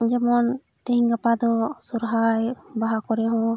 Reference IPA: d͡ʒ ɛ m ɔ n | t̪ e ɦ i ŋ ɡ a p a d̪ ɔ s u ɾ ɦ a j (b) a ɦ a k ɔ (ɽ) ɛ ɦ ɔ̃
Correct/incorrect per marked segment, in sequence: correct, incorrect: ɾ

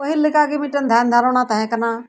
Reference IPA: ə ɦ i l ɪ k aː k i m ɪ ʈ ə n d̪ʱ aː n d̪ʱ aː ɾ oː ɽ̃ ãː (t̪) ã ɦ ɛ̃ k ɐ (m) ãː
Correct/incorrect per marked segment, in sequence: correct, incorrect: n

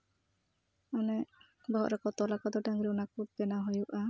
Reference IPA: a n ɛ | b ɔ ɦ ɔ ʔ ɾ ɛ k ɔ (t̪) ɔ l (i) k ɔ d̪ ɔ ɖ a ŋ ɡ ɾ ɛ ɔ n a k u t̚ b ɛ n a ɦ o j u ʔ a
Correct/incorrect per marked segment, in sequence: correct, incorrect: a

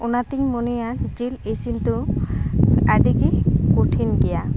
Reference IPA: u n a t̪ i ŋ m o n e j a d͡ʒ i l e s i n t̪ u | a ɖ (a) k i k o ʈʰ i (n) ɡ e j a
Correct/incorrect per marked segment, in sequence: incorrect: i, correct

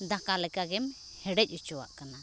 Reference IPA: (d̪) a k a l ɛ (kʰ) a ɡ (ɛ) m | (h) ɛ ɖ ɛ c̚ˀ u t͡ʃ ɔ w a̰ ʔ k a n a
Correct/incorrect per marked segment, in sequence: correct, incorrect: k, correct, correct

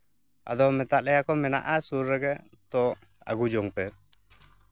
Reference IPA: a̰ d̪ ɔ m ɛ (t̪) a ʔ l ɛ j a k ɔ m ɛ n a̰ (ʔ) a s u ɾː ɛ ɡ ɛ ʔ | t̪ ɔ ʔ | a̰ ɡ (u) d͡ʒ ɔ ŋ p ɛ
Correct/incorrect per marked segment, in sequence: correct, correct, correct

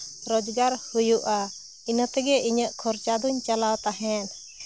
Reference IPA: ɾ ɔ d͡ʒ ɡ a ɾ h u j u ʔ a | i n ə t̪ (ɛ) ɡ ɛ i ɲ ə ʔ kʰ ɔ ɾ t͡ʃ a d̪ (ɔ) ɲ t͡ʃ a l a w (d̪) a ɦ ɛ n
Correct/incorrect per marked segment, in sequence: correct, incorrect: u, incorrect: t̪

